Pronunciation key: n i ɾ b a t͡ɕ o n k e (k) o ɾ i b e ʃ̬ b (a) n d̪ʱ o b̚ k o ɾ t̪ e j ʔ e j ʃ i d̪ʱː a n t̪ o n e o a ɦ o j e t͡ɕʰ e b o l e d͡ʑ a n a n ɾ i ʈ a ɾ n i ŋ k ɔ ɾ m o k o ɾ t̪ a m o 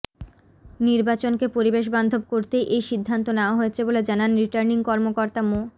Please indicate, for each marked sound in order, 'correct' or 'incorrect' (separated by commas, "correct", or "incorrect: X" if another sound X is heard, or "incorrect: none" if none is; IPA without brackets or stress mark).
incorrect: p, correct